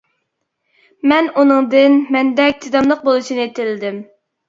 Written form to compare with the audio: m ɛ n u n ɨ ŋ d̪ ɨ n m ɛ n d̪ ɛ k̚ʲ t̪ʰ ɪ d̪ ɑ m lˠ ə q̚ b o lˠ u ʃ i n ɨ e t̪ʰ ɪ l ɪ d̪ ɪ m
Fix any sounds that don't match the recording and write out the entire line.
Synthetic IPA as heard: m ɛ n u n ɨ ŋ d̪ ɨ n m ɛ n d̪ ɛ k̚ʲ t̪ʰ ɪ d̪ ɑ m lˠ ə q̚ b o lˠ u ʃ i n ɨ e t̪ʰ ɪ l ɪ d̪ ɪ m